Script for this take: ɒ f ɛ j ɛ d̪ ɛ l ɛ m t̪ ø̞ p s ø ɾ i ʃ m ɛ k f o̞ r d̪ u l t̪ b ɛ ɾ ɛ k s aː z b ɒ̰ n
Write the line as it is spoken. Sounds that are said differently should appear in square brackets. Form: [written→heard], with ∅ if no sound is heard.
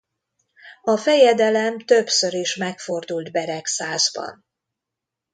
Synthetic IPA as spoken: ɒ f ɛ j ɛ d̪ ɛ l ɛ m t̪ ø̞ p s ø ɾ i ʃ m ɛ k f o̞ r d̪ u l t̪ b ɛ ɾ ɛ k s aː z b ɒ̰ n